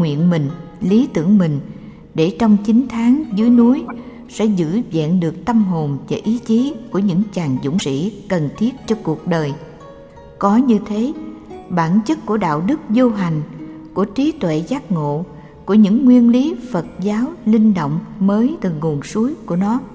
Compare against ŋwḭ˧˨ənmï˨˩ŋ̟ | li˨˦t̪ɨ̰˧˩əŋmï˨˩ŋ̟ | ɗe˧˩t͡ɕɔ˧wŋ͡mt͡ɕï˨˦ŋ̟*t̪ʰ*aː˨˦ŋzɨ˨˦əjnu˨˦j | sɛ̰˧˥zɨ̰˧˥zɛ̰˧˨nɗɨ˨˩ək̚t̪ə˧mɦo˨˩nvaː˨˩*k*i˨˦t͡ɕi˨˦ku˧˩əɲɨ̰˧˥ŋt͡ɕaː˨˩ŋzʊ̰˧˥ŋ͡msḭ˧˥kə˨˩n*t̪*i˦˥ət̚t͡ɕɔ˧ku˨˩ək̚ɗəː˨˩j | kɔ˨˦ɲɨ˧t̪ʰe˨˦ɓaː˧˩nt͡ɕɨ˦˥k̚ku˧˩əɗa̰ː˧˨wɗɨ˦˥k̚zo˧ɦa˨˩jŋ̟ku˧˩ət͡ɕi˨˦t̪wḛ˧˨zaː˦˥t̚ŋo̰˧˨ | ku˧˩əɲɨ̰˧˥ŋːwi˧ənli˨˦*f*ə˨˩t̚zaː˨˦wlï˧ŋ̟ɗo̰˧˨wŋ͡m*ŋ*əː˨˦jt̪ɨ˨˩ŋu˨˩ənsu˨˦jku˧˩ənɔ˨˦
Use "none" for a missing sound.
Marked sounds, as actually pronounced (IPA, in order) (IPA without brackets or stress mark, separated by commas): t̪ʰ, ʔ, t̪ʰ, f, m